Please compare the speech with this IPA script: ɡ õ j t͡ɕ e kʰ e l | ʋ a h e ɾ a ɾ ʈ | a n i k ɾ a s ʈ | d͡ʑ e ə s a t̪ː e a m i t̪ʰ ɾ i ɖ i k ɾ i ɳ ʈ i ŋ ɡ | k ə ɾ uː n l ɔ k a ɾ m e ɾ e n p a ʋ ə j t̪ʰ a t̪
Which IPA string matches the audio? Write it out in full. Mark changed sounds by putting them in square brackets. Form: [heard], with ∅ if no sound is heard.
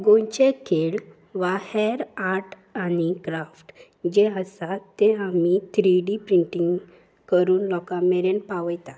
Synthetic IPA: ɡ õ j t͡ɕ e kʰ e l | ʋ a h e ɾ a ɾ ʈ | a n i k ɾ a [f] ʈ | d͡ʑ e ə s a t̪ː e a m i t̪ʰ ɾ i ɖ i [p] ɾ i ɳ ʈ i ŋ ɡ | k ə ɾ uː n l ɔ k a [∅] m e ɾ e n p a ʋ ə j [t̪] a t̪